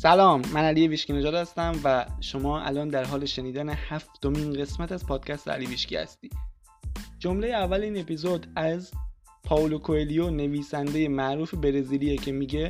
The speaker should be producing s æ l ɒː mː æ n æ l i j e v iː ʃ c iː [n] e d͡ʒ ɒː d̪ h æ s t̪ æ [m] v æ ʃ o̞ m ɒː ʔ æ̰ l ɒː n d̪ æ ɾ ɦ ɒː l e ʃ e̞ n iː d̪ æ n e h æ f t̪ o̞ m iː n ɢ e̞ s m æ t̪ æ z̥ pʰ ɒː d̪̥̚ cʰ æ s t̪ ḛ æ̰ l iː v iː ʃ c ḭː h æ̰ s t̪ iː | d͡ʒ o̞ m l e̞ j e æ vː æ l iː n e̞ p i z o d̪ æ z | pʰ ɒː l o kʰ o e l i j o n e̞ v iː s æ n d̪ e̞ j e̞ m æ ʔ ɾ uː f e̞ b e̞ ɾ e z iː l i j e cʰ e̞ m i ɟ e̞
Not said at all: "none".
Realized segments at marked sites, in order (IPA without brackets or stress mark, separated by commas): n, m